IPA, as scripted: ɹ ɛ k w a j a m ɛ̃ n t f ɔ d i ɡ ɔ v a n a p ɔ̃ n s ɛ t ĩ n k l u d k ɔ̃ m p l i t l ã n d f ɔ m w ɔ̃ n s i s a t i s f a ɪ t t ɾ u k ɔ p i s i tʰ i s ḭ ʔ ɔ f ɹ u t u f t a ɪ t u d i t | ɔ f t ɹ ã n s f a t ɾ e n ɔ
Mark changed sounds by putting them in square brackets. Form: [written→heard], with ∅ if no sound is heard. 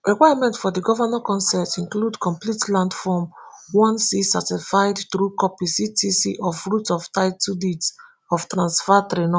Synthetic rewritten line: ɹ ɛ k w a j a m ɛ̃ n t f ɔ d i ɡ ɔ v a n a [p→k] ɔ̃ n s ɛ t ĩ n k l u d k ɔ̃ m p l i t l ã n d f ɔ m w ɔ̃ n s i s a t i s f a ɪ [t→d] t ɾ u k ɔ p i s i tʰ i s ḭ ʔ ɔ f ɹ u t [u→ɔ] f t a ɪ t u d i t | ɔ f t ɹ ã n s f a t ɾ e n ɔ